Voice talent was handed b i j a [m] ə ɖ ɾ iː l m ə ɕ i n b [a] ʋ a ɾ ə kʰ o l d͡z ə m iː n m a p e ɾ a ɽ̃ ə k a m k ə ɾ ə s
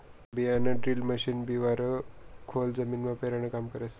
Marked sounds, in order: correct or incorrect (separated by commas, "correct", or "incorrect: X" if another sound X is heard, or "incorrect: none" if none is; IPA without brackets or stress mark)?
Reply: incorrect: n, incorrect: i